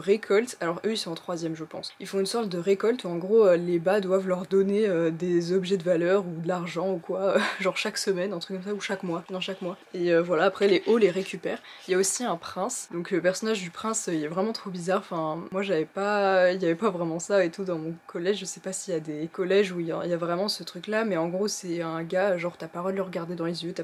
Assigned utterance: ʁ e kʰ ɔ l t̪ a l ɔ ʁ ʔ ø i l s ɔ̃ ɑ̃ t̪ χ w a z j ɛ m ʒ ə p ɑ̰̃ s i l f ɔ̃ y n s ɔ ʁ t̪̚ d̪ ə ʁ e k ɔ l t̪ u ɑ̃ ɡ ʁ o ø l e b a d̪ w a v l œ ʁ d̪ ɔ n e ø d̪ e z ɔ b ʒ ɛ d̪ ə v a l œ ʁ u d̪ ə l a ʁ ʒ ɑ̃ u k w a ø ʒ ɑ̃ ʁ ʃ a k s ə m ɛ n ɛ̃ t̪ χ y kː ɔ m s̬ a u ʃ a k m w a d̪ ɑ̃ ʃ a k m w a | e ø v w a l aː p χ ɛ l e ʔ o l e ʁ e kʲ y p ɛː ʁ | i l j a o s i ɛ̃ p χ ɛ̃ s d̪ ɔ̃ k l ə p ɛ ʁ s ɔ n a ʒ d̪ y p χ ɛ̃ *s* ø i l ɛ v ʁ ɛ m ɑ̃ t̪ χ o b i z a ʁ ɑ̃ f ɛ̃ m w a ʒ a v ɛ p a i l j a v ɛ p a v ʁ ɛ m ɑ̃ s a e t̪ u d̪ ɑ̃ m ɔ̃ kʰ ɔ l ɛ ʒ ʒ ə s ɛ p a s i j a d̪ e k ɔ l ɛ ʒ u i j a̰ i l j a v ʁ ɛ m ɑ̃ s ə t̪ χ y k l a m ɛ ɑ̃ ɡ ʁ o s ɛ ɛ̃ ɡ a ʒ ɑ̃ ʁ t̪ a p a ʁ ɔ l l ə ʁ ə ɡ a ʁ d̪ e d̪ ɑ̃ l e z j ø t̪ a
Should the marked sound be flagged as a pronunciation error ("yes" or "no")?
no